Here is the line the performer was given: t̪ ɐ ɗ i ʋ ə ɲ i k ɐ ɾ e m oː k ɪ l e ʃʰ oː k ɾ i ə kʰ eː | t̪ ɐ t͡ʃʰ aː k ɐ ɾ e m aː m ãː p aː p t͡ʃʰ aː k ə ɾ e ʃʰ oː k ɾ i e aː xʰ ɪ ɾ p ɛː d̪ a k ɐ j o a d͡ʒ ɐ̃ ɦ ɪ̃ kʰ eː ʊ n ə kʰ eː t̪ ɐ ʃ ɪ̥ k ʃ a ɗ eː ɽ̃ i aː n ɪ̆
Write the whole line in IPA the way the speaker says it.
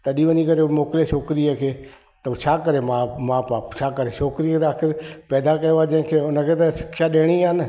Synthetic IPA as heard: t̪ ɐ ɗ i ʋ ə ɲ i k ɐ ɾ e m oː k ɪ l e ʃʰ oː k ɾ i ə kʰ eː | t̪ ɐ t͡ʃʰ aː k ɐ ɾ e m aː m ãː p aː p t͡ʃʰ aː k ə ɾ e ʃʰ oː k ɾ i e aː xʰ ɪ ɾ p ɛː d̪ a k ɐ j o a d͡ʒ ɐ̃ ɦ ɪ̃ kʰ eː ʊ n ə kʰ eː t̪ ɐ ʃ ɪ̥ k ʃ a ɗ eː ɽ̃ i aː n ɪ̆